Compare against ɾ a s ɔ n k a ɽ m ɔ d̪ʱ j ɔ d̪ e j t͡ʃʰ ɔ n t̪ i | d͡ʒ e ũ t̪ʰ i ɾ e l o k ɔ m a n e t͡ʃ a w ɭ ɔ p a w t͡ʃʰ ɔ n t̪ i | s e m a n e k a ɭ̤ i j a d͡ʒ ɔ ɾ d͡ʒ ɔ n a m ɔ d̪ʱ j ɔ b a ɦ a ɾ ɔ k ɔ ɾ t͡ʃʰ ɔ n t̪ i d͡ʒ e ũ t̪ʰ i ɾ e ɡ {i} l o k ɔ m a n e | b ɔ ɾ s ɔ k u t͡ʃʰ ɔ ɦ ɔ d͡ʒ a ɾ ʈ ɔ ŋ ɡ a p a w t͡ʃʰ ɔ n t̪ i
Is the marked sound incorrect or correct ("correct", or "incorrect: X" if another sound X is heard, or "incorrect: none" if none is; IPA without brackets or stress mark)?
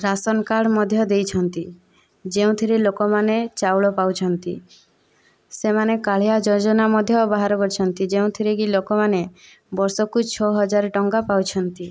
correct